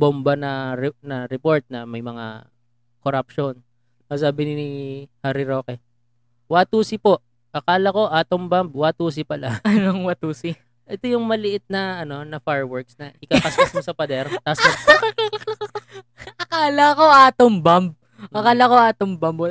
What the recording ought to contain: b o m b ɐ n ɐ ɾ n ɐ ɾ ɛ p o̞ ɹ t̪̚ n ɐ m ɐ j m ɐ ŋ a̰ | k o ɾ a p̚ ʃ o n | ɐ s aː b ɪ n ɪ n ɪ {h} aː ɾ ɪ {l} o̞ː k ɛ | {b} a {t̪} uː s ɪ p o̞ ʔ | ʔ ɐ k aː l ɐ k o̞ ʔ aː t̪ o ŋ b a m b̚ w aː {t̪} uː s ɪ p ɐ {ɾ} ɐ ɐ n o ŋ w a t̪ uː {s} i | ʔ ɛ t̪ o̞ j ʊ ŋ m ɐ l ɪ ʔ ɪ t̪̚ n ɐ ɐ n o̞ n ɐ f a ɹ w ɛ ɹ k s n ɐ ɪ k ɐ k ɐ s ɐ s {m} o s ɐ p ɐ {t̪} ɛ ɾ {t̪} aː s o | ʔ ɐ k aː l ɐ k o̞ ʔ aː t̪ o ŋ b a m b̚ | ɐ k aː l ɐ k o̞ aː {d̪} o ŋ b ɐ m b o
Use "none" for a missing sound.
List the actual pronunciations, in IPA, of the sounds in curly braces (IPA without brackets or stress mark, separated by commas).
h, ɾ, w, t̪, t̪, l, s, m, d̪, t̪, t̪